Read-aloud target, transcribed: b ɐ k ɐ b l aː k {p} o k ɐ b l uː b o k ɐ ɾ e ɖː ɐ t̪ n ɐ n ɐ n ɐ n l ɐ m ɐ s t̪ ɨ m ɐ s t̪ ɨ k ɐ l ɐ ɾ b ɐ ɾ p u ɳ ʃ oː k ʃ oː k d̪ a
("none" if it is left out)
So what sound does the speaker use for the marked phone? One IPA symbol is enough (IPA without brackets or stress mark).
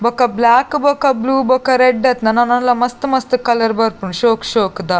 b